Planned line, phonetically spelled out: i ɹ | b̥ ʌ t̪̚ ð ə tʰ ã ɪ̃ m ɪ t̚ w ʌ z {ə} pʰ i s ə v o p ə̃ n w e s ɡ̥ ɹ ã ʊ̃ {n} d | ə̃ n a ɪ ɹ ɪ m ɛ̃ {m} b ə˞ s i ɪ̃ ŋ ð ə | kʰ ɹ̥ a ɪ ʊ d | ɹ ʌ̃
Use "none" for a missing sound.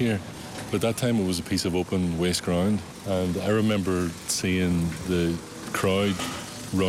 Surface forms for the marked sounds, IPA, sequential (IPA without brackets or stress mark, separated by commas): ə, n, m